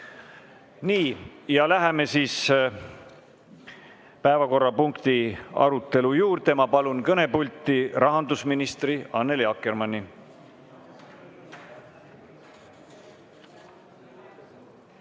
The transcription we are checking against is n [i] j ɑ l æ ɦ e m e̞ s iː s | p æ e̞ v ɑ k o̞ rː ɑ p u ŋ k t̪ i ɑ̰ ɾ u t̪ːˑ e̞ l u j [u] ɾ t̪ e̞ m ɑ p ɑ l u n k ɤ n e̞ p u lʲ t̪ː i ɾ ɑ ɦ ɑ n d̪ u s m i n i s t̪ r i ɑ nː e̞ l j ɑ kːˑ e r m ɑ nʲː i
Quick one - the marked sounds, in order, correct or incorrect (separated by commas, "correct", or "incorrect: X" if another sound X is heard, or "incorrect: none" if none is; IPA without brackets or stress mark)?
incorrect: iː, incorrect: uː